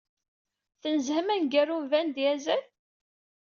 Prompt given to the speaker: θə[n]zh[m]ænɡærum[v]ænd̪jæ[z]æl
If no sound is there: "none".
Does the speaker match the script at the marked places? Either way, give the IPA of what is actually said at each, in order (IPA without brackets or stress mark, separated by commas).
n, m, v, z